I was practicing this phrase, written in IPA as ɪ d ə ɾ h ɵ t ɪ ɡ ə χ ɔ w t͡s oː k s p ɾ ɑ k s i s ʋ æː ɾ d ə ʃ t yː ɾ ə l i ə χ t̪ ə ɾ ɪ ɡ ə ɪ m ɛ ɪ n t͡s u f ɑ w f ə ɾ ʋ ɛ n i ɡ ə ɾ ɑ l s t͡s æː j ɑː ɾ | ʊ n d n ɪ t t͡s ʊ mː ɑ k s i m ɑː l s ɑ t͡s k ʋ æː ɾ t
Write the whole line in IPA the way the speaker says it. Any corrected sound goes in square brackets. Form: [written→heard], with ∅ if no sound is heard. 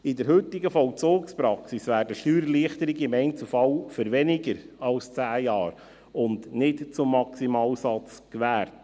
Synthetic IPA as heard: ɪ d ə ɾ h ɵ t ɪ ɡ ə [χ→f] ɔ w t͡s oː k s p ɾ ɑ k s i s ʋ æː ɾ d ə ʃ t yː ɾ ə l i ə χ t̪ ə ɾ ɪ ɡ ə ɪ m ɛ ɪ n t͡s u f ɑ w f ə ɾ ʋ ɛ n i ɡ ə ɾ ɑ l s t͡s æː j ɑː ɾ | ʊ n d n ɪ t t͡s ʊ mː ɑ k s i m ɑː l s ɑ t͡s k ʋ æː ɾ t